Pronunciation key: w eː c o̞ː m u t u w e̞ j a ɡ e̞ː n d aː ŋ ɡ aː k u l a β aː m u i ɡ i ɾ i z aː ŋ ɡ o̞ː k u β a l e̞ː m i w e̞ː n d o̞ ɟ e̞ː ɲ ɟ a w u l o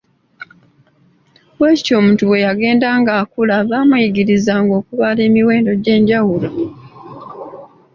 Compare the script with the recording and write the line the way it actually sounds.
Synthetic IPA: w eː c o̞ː m u t u w e̞ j a ɡ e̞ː n d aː ŋ ɡ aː k u l a β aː m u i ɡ i ɾ i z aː ŋ ɡ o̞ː k u β a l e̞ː m i w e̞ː n d o̞ ɟ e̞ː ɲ ɟ a w u l o